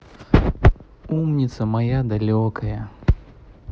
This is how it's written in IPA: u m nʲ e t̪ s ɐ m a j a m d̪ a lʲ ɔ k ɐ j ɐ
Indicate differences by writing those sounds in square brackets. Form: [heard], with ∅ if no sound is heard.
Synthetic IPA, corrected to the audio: u m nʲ [i] t̪ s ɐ m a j a [∅] d̪ a lʲ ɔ k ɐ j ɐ